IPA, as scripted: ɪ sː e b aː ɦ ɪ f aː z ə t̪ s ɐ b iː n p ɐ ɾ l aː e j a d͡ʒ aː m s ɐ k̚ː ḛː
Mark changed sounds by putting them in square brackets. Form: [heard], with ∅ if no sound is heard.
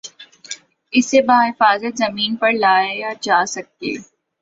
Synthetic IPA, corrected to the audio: ɪ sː e b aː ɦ ɪ f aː z ə t̪ [z] ɐ [m] iː n p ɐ ɾ l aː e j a d͡ʒ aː [∅] s ɐ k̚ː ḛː